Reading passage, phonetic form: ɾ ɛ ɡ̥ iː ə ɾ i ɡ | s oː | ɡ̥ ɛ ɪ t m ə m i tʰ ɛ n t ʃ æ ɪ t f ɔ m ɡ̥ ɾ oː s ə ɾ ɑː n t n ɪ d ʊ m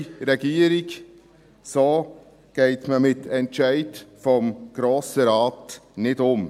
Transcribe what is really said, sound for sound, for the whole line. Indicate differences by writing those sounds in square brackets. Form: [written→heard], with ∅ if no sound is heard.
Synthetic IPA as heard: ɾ ɛ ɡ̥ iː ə ɾ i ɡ | s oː | ɡ̥ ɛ ɪ t m ə m [i→ɪ] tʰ ɛ n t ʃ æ ɪ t f ɔ m ɡ̥ ɾ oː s ə ɾ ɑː [n→∅] t n ɪ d ʊ m

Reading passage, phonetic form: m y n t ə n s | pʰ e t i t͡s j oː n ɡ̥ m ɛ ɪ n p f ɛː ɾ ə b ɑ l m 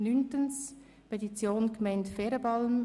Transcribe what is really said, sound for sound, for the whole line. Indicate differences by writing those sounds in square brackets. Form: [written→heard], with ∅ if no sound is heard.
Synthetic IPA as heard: [m→n] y n t ə n s | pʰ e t i t͡s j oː n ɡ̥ m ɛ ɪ n [p→t] f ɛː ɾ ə b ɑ l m

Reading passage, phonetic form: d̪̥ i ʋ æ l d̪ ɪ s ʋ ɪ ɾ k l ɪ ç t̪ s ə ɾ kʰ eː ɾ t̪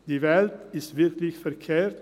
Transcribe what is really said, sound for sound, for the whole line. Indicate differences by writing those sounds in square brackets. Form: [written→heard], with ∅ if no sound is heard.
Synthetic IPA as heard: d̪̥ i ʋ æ l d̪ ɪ s ʋ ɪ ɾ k l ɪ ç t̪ [s→f] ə ɾ kʰ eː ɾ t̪

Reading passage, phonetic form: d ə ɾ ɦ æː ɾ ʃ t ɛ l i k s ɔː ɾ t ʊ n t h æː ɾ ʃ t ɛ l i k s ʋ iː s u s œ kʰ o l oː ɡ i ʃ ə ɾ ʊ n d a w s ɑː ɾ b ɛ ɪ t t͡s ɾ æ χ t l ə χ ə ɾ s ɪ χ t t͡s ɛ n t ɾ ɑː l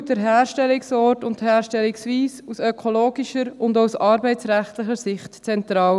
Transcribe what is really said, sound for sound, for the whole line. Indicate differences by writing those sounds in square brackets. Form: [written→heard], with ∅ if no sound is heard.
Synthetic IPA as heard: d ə ɾ ɦ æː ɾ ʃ t ɛ l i k s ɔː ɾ t ʊ n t h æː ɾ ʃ t ɛ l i k s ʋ iː s u s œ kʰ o l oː ɡ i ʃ ə ɾ ʊ n d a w s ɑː ɾ b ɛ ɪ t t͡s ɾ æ χ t l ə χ ə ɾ s ɪ χ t t͡s ɛ n t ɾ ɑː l

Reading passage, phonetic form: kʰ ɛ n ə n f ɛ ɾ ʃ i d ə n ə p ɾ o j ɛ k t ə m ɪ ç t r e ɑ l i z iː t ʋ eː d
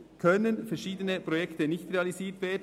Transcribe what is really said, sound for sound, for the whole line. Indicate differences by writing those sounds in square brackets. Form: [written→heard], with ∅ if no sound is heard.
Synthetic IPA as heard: kʰ [ɛ→œ] n ə n f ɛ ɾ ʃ [i→iː] d ə n ə p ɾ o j ɛ k t ə [m→n] ɪ ç t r e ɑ l i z iː t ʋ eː d

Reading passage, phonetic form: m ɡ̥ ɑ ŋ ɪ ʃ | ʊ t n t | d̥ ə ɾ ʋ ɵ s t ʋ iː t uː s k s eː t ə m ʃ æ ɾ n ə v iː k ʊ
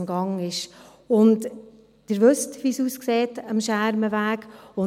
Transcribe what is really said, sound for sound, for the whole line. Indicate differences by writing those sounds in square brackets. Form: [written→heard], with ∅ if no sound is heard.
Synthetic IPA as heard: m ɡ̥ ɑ ŋ ɪ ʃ | ʊ [t→∅] n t | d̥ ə ɾ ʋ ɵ s t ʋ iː [t→s] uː s k s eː t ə m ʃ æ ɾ [n→m] ə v [iː→æː] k ʊ

